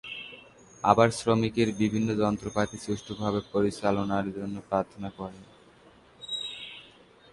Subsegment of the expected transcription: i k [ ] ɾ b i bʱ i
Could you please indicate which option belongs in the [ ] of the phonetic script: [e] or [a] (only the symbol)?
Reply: e